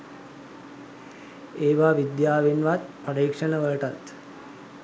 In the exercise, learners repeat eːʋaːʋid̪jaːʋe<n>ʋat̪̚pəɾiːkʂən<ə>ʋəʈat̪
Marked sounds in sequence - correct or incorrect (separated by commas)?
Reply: correct, correct